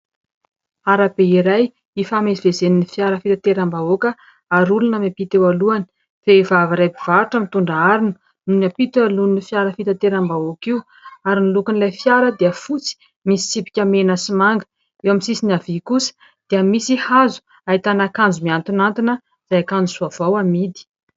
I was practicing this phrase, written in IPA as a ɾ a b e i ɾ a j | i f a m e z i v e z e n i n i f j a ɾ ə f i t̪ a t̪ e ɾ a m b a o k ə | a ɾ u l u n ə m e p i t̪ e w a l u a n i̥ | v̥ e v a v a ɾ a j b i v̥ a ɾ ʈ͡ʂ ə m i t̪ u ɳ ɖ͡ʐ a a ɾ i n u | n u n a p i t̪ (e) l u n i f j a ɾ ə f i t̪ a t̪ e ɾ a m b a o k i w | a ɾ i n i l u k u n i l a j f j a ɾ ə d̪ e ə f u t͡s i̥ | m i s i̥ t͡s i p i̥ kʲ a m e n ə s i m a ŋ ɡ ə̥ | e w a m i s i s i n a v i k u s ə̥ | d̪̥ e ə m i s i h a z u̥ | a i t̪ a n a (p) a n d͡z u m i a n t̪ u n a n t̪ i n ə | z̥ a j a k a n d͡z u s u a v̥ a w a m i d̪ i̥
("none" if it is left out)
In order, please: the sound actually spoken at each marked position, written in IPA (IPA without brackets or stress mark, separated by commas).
a, k